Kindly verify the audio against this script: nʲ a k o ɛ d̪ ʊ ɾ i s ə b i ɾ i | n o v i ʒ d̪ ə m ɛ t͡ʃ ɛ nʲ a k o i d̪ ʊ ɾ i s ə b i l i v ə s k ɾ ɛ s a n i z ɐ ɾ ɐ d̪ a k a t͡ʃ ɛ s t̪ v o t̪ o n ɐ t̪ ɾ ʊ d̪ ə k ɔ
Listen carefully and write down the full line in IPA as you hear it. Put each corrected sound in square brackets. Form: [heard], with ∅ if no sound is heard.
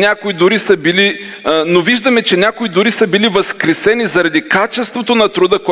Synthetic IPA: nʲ a k o [i] d̪ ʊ ɾ i s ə b i [l] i | n o v i ʒ d̪ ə m ɛ t͡ʃ ɛ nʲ a k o i d̪ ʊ ɾ i s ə b i l i v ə s k ɾ ɛ s [ɛ] n i z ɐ ɾ ɐ d̪ [i] k a t͡ʃ ɛ s t̪ v o t̪ o n ɐ t̪ ɾ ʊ d̪ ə k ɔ